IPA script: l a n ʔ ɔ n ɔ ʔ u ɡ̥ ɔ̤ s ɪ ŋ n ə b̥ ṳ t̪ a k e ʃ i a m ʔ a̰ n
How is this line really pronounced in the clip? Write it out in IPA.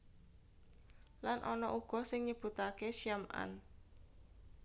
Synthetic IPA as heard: l a n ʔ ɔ n ɔ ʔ u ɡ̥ ɔ̤ s ɪ ŋ ɲ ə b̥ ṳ t̪ a k e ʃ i a m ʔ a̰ n